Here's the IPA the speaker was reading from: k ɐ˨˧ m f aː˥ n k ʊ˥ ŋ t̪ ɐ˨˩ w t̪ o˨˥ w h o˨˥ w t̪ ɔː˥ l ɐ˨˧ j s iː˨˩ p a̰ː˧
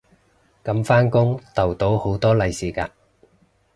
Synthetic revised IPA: k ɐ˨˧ m f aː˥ n k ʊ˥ ŋ t̪ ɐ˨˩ w t̪ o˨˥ w h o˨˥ w t̪ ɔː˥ l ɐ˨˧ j s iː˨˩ k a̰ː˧